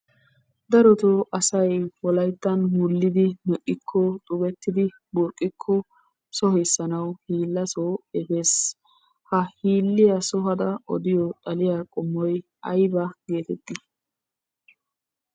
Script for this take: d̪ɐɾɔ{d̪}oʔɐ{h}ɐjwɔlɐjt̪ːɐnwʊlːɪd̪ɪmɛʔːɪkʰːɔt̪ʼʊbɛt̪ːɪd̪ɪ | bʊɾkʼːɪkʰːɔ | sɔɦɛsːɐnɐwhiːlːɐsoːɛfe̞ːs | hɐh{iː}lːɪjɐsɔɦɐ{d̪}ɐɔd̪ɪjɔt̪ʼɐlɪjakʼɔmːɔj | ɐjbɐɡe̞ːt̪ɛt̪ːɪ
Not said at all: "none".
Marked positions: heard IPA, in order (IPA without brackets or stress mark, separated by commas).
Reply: t̪, s, iː, d̪